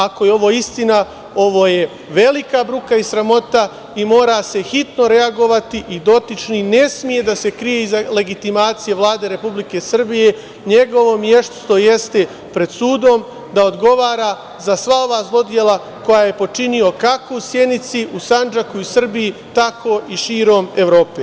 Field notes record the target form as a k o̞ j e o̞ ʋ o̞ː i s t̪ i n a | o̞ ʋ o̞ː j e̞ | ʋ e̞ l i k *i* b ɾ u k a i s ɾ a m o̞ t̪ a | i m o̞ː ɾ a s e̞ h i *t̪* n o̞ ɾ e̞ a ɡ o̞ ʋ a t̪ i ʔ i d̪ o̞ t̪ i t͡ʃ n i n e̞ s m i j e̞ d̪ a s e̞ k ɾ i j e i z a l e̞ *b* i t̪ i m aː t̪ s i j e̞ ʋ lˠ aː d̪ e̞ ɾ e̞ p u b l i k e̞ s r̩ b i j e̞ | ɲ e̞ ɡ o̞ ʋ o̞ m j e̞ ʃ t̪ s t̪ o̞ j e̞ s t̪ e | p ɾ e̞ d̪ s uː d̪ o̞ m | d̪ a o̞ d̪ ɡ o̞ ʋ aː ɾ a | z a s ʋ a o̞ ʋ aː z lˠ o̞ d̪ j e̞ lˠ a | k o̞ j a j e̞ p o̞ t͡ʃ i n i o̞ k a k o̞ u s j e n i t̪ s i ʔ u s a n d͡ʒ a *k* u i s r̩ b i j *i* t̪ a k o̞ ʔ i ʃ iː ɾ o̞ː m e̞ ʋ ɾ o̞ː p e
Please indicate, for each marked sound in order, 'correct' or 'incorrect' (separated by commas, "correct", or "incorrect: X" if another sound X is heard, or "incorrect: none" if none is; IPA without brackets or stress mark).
incorrect: a, correct, incorrect: ɡ, correct, correct